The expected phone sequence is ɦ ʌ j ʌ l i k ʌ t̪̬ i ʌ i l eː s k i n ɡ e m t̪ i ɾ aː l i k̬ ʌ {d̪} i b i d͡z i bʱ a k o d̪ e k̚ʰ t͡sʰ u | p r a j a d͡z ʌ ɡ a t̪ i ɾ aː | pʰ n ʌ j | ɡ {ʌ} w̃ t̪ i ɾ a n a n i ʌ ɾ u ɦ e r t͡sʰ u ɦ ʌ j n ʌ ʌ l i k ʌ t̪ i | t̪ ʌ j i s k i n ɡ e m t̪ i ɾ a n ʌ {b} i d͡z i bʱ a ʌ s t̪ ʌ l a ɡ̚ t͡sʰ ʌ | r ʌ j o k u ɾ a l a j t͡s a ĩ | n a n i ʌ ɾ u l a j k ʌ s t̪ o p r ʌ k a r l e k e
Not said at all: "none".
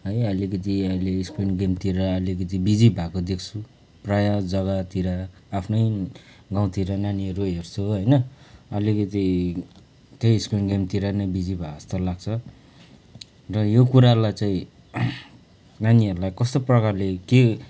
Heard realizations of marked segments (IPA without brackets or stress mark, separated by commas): t̪, a, b